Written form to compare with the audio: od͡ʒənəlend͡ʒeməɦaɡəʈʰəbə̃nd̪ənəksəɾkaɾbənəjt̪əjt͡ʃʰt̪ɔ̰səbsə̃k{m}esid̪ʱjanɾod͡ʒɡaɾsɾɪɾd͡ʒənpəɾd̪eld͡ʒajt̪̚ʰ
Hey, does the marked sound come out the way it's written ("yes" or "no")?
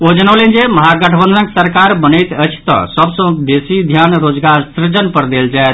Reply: no